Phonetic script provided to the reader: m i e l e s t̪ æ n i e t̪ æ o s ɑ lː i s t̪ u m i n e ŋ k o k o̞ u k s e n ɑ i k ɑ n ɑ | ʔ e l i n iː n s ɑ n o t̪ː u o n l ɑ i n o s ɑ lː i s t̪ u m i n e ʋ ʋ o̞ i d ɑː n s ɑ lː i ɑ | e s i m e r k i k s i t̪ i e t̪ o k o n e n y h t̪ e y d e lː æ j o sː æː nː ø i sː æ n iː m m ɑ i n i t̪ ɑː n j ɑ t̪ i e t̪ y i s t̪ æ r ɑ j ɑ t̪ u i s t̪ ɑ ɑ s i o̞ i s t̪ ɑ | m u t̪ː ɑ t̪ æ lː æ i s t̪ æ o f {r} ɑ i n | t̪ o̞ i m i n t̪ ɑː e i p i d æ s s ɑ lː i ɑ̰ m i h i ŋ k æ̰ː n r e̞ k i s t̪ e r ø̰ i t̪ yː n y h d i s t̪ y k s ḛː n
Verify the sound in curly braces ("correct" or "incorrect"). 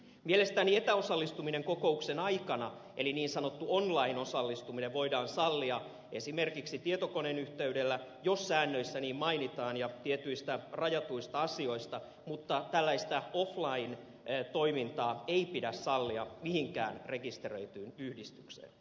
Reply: incorrect